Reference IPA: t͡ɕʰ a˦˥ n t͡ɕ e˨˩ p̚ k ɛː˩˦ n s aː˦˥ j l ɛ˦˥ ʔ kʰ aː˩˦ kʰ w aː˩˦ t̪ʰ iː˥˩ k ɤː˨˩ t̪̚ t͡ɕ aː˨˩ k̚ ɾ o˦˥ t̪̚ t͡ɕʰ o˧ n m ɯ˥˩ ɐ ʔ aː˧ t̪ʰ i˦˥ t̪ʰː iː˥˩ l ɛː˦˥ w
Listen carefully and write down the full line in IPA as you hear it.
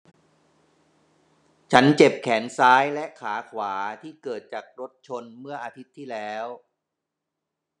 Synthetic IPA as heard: t͡ɕʰ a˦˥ n t͡ɕ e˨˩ p̚ kʰ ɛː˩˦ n s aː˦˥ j l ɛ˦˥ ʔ kʰ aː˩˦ kʰ w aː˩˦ t̪ʰ iː˥˩ k ɤː˨˩ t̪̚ t͡ɕ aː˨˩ k̚ ɾ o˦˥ t̪̚ t͡ɕʰ o˧ n m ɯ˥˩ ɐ ʔ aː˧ t̪ʰ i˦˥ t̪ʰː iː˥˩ l ɛː˦˥ w